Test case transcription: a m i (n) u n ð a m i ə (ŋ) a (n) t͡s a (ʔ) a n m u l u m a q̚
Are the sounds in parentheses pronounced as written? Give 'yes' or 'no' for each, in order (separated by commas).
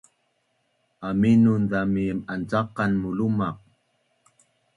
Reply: yes, no, yes, no